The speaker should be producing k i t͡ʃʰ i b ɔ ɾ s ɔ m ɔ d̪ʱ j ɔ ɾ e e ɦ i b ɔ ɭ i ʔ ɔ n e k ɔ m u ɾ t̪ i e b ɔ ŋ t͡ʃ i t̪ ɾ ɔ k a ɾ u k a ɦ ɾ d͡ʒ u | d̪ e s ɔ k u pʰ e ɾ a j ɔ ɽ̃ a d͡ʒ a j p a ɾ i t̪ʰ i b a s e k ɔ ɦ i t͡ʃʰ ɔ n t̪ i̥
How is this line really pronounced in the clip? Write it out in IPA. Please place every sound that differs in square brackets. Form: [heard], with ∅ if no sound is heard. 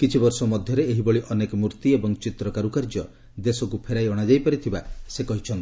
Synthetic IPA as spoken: k i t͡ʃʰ i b ɔ ɾ s ɔ m ɔ d̪ʱ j ɔ ɾ e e ɦ i b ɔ ɭ i ʔ ɔ n e k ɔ m u ɾ t̪ i e b ɔ ŋ t͡ʃ i t̪ ɾ ɔ k a ɾ u k a [∅] ɾ d͡ʒ [ɔ] | d̪ e s ɔ k u pʰ e ɾ a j ɔ ɽ̃ a d͡ʒ a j p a ɾ i t̪ʰ i b a s e k ɔ ɦ i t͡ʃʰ ɔ n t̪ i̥